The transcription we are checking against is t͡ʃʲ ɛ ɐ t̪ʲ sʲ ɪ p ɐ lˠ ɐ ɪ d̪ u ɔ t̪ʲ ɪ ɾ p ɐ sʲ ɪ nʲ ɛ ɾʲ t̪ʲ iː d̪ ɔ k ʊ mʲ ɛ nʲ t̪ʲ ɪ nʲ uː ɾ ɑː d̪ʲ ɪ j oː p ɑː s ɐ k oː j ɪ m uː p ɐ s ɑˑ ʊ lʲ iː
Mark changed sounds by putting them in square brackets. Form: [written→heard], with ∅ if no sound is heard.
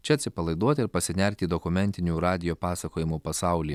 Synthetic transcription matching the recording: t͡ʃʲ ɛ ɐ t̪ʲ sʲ ɪ p ɐ lˠ ɐ ɪ d̪ u ɔ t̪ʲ ɪ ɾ p ɐ sʲ ɪ nʲ ɛ ɾʲ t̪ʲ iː d̪ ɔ k ʊ mʲ ɛ nʲ t̪ʲ ɪ nʲ uː ɾ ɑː d̪ʲ ɪ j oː p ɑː s ɐ k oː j ɪ m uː p ɐ s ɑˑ ʊ lʲ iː